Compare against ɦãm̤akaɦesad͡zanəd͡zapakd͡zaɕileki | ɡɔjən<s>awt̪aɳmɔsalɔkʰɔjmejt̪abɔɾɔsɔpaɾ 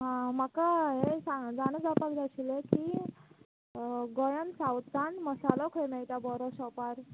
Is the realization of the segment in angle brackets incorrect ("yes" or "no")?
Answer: no